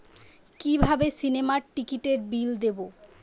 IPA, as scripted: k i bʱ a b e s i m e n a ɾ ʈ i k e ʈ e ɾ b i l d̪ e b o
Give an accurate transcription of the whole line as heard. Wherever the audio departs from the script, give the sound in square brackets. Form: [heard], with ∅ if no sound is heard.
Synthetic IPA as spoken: k i bʱ a b e s i [n] e [m] a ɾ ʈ i k [i] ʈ e ɾ b i l d̪ e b o